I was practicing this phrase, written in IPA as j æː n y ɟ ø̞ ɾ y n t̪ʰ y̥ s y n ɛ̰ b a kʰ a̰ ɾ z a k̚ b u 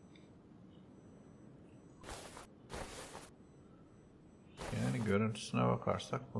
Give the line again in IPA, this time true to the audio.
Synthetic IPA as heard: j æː n i ɟ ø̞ ɾ y n t̪ʰ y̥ s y n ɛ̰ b a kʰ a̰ ɾ s a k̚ b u